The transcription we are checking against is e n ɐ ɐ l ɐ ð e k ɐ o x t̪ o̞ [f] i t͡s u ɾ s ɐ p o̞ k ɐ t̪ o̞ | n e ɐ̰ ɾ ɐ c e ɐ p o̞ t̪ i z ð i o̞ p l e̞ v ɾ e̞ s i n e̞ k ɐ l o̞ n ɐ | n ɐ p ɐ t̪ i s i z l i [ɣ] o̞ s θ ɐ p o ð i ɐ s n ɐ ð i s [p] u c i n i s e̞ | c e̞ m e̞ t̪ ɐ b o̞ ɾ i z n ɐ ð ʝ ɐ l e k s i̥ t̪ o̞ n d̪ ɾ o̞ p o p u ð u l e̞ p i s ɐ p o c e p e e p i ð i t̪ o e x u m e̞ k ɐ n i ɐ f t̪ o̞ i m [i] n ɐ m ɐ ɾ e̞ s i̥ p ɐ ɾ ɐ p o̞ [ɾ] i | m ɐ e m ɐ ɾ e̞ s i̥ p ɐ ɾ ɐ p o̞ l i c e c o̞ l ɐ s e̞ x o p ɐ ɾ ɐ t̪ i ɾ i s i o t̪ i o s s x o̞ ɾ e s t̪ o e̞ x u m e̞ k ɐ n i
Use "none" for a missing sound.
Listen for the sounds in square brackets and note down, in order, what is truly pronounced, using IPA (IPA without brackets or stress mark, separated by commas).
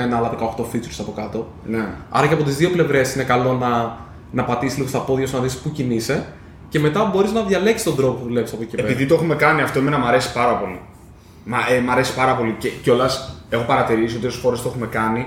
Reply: f, ɣ, p, e, l